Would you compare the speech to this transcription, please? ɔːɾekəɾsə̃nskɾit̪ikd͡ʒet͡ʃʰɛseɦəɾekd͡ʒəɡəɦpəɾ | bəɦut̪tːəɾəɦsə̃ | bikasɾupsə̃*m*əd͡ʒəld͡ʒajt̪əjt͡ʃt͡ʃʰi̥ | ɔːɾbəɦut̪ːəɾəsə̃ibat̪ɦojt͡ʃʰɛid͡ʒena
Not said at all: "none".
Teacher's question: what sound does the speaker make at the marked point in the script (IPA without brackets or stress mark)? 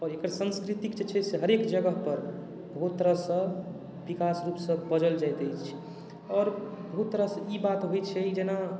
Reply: b